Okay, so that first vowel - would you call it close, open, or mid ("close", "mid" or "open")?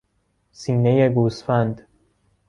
close